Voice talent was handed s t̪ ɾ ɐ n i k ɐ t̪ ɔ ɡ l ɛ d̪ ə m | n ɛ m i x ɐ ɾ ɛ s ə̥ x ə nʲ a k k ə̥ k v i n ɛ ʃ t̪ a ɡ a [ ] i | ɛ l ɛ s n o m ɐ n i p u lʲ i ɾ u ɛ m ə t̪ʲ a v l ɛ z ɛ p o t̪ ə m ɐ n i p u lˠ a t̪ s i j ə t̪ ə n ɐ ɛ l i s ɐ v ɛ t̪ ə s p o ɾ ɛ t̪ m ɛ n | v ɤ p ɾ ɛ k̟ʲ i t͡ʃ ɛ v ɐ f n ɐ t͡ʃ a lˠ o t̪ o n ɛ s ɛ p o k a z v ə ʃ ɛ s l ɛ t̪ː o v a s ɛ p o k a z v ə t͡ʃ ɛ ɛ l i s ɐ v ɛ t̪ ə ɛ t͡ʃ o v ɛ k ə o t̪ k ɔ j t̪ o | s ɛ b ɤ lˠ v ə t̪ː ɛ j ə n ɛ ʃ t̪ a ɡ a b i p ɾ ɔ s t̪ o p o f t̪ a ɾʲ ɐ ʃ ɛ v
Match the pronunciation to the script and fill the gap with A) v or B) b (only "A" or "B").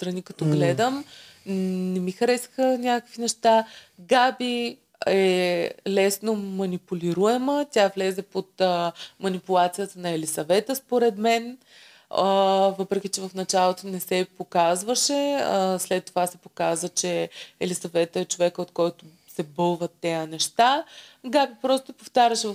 B